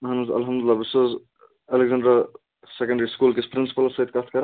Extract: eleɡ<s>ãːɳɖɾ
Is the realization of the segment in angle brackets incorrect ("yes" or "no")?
yes